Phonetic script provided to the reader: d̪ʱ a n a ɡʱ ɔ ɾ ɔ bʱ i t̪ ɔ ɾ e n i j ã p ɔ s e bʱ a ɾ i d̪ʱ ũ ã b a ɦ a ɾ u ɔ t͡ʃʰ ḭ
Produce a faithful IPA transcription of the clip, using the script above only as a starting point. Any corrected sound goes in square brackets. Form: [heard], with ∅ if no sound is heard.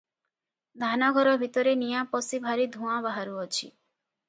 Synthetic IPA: d̪ʱ a n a ɡʱ ɔ ɾ ɔ bʱ i t̪ ɔ ɾ e n i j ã p ɔ s [i] bʱ a ɾ i d̪ʱ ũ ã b a ɦ a ɾ u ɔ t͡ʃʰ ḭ

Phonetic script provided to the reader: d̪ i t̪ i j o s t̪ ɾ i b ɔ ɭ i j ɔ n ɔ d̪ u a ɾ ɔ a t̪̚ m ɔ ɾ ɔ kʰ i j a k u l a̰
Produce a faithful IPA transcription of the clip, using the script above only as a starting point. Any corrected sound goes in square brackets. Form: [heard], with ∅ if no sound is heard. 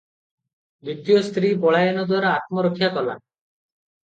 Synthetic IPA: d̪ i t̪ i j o s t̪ ɾ i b ɔ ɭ [a] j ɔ n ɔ d̪ [w] a ɾ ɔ a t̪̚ m ɔ ɾ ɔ kʰ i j a k [ɔ] l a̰

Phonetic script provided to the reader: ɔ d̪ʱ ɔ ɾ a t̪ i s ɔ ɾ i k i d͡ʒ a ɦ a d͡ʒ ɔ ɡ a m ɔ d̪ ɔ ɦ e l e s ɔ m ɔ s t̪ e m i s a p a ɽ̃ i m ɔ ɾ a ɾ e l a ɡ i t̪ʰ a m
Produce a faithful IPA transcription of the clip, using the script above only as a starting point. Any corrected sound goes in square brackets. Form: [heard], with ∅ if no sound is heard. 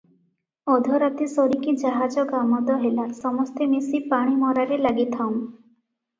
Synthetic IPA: ɔ d̪ʱ ɔ ɾ a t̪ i s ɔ ɾ i k i d͡ʒ a ɦ a d͡ʒ ɔ ɡ a m ɔ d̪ ɔ ɦ e l [a] s ɔ m ɔ s t̪ e m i s [i] p a ɽ̃ i m ɔ ɾ a ɾ e l a ɡ i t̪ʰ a m

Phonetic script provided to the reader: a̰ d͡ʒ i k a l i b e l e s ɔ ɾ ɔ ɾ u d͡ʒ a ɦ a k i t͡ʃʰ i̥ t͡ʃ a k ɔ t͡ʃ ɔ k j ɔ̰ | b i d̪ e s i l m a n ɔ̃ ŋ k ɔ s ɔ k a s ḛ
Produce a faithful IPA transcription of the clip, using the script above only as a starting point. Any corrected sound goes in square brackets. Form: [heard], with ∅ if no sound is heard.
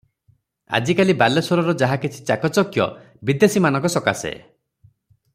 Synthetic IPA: a̰ d͡ʒ i k a l i b [a] l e s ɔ ɾ ɔ ɾ [ɔ] d͡ʒ a ɦ a k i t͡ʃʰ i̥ t͡ʃ a k ɔ t͡ʃ ɔ k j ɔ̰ | b i d̪ e s i [∅] m a n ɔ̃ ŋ k ɔ s ɔ k a s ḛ

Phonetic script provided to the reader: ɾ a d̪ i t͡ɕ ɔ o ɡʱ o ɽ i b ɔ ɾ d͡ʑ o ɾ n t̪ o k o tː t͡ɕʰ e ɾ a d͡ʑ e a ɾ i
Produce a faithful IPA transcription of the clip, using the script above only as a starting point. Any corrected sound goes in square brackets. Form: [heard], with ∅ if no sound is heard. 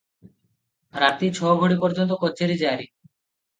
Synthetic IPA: ɾ a [t̪] i [t͡ɕʰ] ɔ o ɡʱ o ɽ i [p] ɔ ɾ d͡ʑ o [∅] n t̪ o k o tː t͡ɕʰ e ɾ [i] d͡ʑ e a ɾ i

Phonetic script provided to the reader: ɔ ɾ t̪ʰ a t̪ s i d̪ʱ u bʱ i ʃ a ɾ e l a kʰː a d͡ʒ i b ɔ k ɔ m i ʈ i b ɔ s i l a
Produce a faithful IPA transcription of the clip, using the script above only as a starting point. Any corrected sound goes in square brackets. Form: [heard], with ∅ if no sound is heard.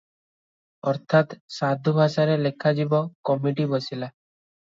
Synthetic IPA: ɔ ɾ t̪ʰ a t̪ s [a] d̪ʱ u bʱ [a] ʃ a ɾ e l [e] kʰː a d͡ʒ i b ɔ k ɔ m i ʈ i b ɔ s i l a

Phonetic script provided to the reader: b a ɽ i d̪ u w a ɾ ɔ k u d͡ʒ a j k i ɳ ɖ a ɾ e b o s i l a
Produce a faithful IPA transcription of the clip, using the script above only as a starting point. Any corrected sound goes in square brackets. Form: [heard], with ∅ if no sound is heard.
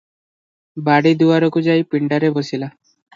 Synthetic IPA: b a ɽ i d̪ u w a ɾ ɔ k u d͡ʒ a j [p] i ɳ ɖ a ɾ e b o s i l a

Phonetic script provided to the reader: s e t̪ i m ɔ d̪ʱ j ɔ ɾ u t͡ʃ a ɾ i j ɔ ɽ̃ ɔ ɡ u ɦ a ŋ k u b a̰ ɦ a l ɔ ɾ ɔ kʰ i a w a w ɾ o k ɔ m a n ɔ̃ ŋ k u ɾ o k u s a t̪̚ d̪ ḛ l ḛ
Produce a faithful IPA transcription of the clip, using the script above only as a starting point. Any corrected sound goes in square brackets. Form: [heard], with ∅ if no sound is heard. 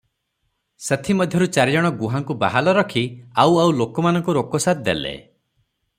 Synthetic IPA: s e [t̪ʰ] i m ɔ d̪ʱ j ɔ ɾ u t͡ʃ a ɾ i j ɔ ɽ̃ ɔ ɡ u ɦ a ŋ k u b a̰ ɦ a l ɔ ɾ ɔ kʰ i a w a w [l] o k ɔ m a n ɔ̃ ŋ k u ɾ o k [ɔ] s a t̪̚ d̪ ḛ l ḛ

